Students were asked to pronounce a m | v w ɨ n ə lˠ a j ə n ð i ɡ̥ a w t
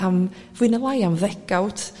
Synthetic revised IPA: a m | v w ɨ n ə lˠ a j a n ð ɛ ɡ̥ a w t